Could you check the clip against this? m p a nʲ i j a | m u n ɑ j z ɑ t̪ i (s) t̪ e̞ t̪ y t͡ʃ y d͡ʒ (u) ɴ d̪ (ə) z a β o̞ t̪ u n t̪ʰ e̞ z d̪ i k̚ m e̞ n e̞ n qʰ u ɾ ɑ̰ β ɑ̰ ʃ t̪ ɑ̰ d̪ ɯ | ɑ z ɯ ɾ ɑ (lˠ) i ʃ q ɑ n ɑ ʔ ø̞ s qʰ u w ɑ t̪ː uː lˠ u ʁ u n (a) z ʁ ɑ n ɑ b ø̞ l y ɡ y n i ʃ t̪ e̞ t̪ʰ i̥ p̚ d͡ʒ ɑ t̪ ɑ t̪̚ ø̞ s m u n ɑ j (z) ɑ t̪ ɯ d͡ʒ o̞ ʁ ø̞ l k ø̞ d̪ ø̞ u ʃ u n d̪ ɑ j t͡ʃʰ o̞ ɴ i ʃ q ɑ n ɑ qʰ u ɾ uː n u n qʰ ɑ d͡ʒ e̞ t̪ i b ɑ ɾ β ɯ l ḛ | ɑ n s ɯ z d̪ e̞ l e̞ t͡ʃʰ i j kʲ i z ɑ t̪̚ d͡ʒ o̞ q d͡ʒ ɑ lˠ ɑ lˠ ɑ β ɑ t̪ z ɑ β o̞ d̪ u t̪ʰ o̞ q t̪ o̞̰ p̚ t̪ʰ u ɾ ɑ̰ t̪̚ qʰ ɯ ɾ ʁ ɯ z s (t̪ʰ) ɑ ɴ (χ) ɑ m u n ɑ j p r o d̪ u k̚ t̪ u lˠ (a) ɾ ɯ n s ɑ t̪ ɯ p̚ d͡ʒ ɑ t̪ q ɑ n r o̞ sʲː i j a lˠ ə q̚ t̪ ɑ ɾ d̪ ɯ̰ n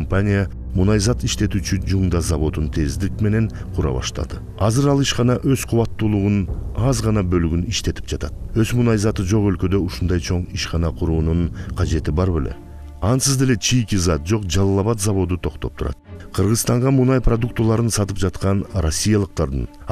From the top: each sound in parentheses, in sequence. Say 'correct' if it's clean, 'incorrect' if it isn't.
incorrect, correct, incorrect, correct, incorrect, correct, incorrect, incorrect, incorrect

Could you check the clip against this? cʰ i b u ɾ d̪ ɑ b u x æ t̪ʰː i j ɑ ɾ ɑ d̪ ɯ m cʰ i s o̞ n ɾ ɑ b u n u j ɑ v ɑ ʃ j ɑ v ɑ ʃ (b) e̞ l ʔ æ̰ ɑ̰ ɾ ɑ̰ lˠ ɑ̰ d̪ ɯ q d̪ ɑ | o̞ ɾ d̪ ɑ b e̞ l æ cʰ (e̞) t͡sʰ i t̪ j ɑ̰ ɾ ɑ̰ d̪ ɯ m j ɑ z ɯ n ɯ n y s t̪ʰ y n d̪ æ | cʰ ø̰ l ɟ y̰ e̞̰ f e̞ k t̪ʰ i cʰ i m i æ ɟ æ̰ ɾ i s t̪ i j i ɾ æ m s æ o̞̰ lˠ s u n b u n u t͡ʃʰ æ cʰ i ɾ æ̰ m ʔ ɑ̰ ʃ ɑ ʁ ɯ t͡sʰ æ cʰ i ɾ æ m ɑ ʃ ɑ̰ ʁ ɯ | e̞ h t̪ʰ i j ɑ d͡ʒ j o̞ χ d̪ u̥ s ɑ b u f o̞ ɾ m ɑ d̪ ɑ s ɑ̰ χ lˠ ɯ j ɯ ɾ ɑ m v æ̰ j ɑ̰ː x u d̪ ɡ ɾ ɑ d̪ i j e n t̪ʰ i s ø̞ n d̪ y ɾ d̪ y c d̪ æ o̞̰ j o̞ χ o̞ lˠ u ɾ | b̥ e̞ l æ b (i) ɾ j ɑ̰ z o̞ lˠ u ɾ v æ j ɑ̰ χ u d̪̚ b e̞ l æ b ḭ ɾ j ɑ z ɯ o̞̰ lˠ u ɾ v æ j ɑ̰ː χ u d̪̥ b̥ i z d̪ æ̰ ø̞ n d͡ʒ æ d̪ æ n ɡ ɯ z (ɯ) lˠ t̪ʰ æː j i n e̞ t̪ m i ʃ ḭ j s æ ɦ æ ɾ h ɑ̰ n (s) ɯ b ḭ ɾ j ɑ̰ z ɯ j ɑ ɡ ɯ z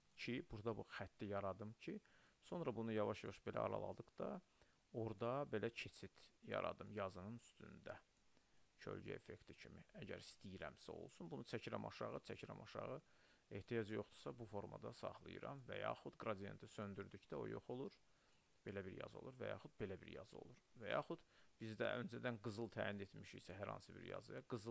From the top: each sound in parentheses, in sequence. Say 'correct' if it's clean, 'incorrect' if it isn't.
correct, correct, correct, correct, correct

